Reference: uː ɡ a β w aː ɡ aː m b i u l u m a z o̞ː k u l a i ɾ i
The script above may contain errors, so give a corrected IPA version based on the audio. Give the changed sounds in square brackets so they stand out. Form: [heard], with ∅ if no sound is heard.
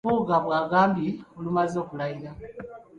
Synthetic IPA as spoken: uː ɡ a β w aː ɡ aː m b i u l u m a z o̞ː k u l a i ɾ [a]